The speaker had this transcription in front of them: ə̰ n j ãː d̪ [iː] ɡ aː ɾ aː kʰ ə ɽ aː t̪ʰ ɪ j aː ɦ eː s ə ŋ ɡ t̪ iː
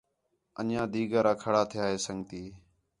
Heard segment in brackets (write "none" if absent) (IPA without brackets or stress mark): iː